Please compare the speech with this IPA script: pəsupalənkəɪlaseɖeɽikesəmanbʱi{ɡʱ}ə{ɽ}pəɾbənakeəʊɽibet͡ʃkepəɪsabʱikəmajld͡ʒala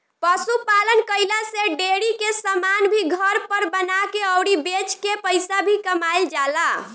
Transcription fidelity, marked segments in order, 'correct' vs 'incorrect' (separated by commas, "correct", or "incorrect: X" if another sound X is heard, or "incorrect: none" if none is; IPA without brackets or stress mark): correct, incorrect: ɾ